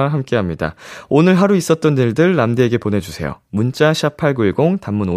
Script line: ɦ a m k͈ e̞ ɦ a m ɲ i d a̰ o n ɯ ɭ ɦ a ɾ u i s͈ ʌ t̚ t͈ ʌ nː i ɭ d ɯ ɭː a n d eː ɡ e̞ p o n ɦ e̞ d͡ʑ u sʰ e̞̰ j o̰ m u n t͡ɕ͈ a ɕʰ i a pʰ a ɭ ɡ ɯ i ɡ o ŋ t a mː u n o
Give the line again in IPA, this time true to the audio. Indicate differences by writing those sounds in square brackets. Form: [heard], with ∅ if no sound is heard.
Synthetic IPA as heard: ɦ a m k͈ e̞ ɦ a m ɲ i d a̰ o n ɯ ɭ ɦ a ɾ u i s͈ ʌ t̚ t͈ ʌ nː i ɭ d ɯ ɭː a [m] d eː ɡ e̞ p o n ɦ e̞ d͡ʑ u sʰ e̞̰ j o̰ m u n t͡ɕ͈ a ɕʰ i a pʰ a ɭ ɡ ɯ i ɡ o ŋ t a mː u n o